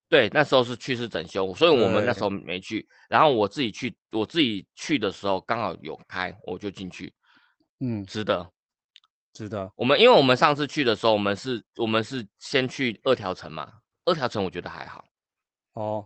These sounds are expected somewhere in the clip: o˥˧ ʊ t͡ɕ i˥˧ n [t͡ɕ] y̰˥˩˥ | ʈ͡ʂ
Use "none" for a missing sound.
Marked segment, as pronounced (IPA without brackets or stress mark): t͡ɕʰ